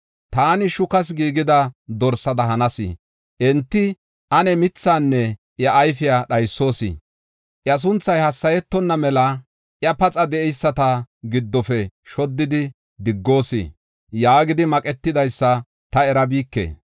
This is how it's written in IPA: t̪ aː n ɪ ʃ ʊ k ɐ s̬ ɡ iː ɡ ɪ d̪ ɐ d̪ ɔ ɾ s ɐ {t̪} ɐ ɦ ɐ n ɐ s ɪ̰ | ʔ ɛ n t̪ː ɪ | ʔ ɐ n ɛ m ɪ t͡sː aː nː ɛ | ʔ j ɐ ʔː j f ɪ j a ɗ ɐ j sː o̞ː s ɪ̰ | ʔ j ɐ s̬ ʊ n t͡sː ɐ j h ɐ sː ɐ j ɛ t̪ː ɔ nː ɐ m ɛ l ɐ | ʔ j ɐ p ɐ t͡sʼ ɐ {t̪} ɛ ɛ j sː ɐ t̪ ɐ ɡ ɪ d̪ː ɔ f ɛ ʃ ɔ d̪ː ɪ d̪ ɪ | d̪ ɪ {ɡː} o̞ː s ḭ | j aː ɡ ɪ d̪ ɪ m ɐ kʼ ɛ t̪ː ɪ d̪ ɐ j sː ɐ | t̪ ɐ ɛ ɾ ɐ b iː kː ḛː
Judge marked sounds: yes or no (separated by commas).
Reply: no, no, yes